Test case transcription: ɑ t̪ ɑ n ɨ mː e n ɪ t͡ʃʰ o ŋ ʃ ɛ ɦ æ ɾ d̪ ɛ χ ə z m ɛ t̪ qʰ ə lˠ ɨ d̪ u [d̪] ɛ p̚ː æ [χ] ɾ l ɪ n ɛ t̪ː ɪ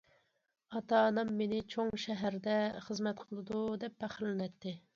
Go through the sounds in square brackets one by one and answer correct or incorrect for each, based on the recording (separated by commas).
correct, correct